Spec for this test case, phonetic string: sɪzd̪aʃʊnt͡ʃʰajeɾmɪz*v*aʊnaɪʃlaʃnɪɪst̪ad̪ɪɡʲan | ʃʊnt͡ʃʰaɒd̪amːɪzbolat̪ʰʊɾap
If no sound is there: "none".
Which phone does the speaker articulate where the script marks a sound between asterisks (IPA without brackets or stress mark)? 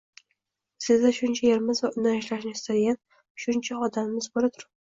v